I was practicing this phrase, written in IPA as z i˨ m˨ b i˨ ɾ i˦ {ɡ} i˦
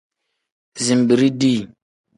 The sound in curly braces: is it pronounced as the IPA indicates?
no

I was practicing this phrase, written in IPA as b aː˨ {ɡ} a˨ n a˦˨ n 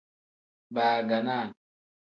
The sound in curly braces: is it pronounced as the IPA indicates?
yes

